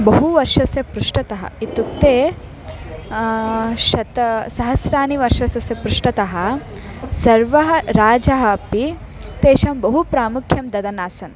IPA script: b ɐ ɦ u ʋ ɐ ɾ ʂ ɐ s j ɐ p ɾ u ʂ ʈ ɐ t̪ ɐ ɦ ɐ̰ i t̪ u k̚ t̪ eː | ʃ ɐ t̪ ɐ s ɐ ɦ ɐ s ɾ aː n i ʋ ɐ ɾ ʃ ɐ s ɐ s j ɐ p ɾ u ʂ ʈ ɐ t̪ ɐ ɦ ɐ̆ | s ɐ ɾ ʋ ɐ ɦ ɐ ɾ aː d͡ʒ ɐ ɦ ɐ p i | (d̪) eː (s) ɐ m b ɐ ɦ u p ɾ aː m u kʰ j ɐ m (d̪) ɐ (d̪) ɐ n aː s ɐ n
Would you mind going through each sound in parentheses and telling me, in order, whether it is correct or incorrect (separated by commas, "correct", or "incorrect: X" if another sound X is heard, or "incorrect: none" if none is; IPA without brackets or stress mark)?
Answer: incorrect: t̪, incorrect: ʃ, correct, correct